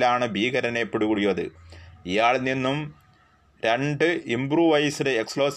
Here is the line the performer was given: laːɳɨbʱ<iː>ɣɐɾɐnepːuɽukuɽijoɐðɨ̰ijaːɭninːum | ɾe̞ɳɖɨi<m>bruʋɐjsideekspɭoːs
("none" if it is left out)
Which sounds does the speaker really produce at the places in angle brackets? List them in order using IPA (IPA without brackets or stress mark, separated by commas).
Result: iː, m